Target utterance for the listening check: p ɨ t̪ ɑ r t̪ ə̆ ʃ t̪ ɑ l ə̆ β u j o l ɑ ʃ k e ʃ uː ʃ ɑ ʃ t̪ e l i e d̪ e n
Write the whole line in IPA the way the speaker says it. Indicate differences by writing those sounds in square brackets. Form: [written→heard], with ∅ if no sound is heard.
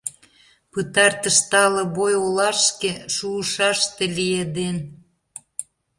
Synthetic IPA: p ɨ t̪ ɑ r t̪ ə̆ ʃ t̪ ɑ l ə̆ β [u→o] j o l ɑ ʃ k e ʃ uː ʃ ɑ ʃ t̪ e l i e d̪ e n